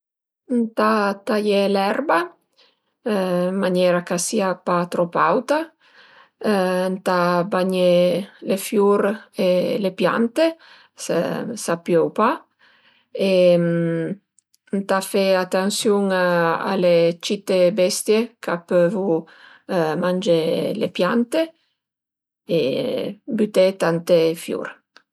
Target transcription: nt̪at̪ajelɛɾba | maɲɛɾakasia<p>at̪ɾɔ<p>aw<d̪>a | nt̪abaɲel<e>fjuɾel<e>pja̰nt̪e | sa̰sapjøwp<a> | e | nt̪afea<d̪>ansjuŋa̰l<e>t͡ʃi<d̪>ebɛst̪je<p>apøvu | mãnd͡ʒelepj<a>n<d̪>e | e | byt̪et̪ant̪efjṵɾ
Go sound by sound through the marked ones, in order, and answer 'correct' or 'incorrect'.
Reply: correct, correct, incorrect: t̪, correct, correct, correct, incorrect: t̪, correct, incorrect: t̪, incorrect: k, correct, incorrect: t̪

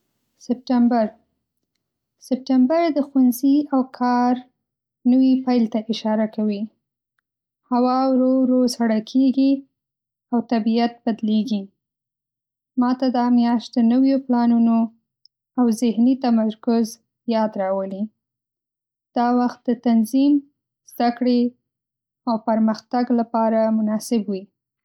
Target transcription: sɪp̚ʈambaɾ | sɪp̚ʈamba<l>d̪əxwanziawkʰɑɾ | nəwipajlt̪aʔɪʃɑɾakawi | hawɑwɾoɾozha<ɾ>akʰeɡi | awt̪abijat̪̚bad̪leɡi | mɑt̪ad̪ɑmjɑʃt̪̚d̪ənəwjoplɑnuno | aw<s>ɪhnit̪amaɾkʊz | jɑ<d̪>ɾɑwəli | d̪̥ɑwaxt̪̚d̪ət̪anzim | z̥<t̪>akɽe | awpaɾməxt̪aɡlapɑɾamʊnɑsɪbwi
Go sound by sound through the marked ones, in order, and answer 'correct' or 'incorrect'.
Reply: incorrect: ɾ, incorrect: ɽ, incorrect: z, correct, incorrect: d̪

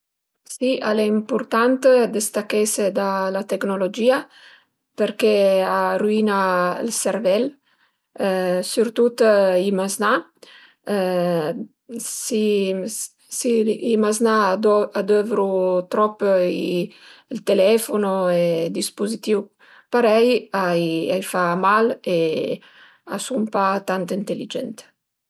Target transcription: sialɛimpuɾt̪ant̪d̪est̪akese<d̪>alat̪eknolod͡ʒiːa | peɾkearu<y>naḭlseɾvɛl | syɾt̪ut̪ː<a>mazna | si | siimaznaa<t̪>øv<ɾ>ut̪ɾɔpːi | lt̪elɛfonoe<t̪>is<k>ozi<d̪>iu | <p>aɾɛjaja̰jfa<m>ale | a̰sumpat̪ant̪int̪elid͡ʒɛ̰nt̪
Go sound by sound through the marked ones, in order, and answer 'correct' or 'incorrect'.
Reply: correct, incorrect: i, incorrect: i, incorrect: d̪, correct, incorrect: d̪, incorrect: p, incorrect: t̪, correct, correct

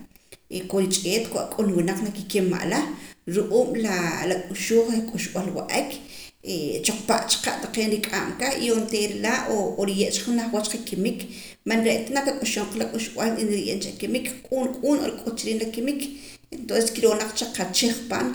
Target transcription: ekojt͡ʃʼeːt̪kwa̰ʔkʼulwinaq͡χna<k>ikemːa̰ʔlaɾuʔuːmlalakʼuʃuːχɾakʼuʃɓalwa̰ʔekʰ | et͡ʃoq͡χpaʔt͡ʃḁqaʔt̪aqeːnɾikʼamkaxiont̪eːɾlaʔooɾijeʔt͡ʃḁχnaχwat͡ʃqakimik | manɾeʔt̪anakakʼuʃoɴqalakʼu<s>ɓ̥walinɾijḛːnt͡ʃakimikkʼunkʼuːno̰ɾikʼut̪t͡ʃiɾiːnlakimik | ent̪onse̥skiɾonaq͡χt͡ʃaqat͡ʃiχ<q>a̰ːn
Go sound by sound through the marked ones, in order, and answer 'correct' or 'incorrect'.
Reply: correct, incorrect: ʃ, incorrect: p

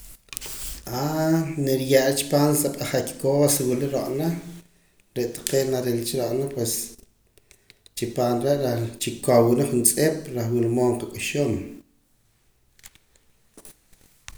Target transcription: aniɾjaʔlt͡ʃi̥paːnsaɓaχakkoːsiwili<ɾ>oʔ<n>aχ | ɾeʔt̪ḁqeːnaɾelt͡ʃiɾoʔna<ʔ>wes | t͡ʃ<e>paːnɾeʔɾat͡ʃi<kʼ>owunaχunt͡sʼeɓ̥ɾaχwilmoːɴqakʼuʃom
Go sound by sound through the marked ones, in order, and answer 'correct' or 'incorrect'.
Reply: correct, correct, incorrect: p, incorrect: i, incorrect: k

